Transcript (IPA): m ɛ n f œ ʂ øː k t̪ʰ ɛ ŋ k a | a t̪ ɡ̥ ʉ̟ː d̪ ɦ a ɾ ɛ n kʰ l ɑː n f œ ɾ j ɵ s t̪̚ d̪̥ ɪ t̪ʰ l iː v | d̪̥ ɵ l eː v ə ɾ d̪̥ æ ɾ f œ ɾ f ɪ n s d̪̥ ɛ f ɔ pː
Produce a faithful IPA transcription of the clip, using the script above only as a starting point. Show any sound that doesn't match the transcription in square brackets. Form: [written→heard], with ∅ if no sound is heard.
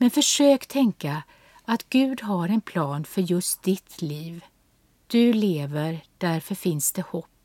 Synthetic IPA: m ɛ n f œ ʂ øː k t̪ʰ ɛ ŋ k a | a t̪ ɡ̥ ʉ̟ː d̪ ɦ a ɾ ɛ n [kʰ→pʰ] l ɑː n f œ ɾ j ɵ s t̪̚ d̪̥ ɪ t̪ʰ l iː v | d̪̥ ɵ l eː v ə ɾ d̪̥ æ ɾ f œ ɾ f ɪ n s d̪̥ ɛ [f→h] ɔ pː